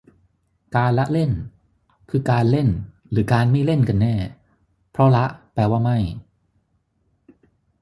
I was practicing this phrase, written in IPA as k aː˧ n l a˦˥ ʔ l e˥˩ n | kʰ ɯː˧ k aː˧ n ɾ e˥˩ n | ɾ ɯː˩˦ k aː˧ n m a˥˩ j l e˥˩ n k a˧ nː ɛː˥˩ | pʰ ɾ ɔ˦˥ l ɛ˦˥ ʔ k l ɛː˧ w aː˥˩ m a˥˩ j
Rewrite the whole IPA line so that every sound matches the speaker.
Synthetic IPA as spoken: k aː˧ n l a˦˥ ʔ l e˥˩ n | kʰ ɯː˧ k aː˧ n l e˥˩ n | ɾ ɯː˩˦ k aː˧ n m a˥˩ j l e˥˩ n k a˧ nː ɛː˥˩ | pʰ ɾ ɔ˦˥ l a˦˥ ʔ p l ɛː˧ w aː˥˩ m a˥˩ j